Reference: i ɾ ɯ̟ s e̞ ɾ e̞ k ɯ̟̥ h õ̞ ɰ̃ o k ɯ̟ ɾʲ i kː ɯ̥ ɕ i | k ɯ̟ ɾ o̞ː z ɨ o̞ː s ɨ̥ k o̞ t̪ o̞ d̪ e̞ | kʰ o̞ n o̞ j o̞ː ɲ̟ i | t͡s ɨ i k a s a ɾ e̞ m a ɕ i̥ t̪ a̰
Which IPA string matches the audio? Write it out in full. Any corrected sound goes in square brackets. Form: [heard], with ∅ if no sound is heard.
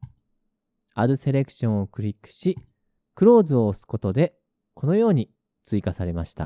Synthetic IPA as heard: [a] ɾ ɯ̟ s e̞ ɾ e̞ k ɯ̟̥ [ɕ] õ̞ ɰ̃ o k ɯ̟ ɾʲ i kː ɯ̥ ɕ i | k ɯ̟ ɾ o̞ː z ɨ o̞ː s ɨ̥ k o̞ t̪ o̞ d̪ e̞ | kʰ o̞ n o̞ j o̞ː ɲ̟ i | t͡s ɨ i k a s a ɾ e̞ m a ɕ i̥ t̪ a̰